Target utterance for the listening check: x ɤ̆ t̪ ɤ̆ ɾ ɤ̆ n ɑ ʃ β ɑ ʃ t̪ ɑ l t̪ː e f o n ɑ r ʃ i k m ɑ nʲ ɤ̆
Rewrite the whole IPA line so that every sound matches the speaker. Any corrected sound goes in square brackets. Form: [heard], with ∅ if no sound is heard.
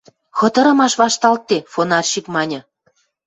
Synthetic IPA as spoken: x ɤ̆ t̪ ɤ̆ ɾ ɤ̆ [m] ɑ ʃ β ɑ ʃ t̪ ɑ l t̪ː e f o n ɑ r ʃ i k m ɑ nʲ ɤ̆